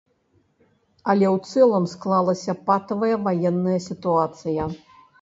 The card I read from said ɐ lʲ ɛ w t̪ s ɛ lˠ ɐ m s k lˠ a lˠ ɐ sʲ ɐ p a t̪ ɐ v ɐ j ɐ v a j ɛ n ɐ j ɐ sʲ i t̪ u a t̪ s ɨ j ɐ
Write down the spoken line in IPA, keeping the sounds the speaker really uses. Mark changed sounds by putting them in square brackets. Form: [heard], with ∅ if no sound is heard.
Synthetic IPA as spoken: ɐ lʲ ɛ w t̪ s ɛ lˠ ɐ m s k lˠ a lˠ ɐ sʲ ɐ p a t̪ ɐ v ɐ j ɐ v a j ɛ [nː] ɐ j ɐ sʲ i t̪ u a t̪ s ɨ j ɐ